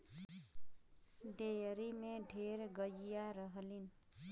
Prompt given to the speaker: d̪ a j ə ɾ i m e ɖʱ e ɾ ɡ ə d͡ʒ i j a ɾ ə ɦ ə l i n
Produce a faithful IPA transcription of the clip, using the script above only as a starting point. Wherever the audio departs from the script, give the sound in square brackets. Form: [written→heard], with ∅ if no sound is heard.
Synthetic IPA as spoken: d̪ [a→e] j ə ɾ i m e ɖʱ e ɾ ɡ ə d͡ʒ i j a ɾ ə ɦ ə l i n